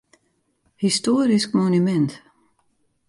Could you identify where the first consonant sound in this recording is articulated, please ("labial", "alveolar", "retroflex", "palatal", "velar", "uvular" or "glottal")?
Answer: glottal